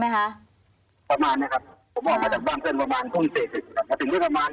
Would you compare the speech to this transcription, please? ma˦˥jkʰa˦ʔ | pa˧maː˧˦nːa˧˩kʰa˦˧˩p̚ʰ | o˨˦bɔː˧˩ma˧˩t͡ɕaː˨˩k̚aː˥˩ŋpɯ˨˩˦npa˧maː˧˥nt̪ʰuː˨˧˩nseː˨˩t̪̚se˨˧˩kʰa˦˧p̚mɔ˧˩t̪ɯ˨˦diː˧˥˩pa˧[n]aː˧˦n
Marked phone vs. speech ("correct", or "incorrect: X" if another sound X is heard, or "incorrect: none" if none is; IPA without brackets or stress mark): incorrect: m